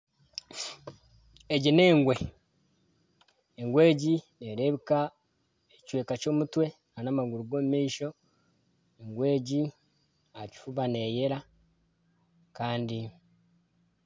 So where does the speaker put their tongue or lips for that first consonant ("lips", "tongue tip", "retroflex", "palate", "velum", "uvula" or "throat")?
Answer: palate